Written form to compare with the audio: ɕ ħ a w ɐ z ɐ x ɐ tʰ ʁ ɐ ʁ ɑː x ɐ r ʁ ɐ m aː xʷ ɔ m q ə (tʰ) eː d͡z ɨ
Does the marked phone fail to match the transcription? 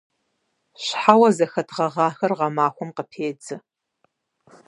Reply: yes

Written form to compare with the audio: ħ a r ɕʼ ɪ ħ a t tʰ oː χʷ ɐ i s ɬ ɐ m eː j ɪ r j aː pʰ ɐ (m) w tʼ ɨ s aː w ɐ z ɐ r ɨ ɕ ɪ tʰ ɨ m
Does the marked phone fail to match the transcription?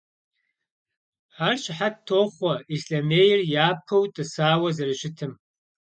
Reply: yes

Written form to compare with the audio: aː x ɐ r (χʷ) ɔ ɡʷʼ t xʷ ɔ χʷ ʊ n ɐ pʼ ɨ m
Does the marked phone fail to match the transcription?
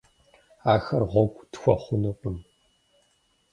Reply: yes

